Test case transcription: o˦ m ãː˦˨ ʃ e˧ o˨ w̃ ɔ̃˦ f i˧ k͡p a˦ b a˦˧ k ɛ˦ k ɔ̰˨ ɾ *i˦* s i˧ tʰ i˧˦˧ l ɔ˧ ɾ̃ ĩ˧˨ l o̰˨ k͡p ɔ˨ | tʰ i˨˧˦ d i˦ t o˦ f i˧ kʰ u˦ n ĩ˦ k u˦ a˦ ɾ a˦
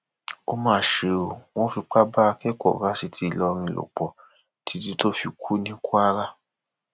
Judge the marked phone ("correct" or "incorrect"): incorrect